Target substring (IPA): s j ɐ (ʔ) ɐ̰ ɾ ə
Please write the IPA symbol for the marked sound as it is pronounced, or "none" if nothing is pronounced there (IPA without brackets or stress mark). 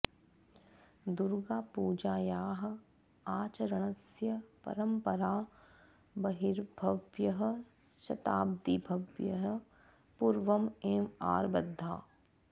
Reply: p